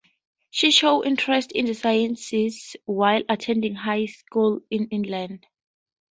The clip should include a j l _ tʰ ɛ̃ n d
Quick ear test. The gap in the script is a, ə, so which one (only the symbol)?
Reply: a